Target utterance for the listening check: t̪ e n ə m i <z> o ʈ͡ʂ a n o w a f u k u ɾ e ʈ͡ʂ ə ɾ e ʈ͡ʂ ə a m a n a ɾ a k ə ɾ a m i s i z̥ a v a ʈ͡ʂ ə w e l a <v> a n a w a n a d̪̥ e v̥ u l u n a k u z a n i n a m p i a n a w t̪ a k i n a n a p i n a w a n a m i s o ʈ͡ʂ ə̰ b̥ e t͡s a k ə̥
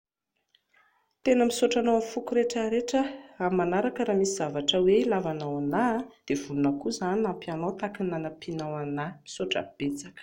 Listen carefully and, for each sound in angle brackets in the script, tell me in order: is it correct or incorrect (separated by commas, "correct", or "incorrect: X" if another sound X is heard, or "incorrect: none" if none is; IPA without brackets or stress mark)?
incorrect: s, correct